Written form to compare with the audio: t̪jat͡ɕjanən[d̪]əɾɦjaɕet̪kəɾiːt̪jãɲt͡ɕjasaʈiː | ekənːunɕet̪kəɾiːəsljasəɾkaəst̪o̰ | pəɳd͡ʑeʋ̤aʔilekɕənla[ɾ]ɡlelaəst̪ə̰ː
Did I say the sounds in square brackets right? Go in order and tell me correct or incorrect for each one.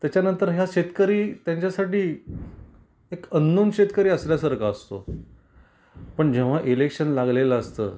incorrect, incorrect

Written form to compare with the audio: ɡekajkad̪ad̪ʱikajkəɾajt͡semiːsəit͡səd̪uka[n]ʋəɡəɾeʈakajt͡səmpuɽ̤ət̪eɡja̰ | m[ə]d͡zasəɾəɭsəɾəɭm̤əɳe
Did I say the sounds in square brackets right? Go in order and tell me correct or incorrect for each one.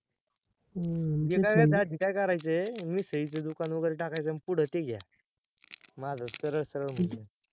correct, incorrect

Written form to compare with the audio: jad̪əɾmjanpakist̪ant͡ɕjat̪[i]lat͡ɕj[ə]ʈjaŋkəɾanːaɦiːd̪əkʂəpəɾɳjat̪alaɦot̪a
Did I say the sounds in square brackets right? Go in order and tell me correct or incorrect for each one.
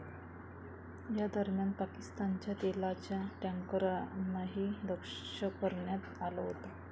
incorrect, incorrect

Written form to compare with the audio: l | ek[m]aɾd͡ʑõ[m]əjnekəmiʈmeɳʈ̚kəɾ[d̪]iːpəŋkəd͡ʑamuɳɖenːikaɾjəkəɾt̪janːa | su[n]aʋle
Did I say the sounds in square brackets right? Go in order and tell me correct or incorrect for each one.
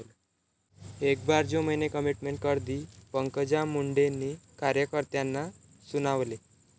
incorrect, correct, correct, correct

